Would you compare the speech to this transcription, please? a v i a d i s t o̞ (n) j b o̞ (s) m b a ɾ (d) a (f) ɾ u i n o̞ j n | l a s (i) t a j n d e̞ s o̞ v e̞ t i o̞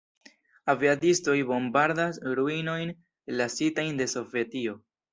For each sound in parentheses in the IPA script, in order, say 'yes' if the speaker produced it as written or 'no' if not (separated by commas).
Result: no, no, yes, no, yes